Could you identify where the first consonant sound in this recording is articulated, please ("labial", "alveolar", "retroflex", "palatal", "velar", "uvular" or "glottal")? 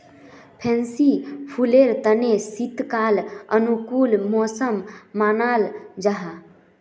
labial